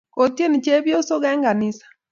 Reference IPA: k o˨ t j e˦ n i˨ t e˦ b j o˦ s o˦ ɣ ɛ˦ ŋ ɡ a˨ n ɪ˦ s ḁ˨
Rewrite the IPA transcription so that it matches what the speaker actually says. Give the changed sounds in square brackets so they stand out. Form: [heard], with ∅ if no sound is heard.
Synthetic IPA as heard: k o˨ t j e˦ n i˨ [t͡ʃ] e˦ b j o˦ s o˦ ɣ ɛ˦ ŋ ɡ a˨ n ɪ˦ s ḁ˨